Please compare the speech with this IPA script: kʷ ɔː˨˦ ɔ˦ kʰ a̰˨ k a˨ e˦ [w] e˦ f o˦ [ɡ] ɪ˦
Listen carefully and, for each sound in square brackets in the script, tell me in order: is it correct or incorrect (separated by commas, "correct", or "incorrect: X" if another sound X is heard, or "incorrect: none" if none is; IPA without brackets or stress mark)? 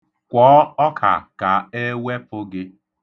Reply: correct, correct